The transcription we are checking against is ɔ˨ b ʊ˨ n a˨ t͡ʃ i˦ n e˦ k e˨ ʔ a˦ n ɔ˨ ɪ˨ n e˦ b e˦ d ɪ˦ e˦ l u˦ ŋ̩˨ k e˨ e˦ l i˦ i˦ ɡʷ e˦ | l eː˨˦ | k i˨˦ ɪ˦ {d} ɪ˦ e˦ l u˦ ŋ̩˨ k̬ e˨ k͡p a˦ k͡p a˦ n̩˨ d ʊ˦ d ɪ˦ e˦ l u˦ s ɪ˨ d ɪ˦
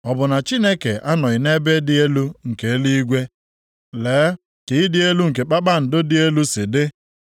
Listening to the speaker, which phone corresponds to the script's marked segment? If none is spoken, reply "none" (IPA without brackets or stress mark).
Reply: d